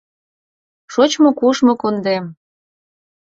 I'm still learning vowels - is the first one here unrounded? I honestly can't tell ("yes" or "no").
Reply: no